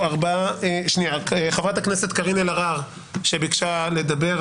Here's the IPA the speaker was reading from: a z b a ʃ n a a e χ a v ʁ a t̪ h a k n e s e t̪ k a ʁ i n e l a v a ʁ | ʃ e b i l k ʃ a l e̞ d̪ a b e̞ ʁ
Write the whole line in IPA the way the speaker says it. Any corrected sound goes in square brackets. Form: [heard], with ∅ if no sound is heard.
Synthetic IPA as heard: a [ʁ] b a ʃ n [i] a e χ a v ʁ a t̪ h a k n e s e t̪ k a ʁ i n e l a [ʁ] a ʁ | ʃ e b i [∅] k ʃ a l e̞ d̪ a b e̞ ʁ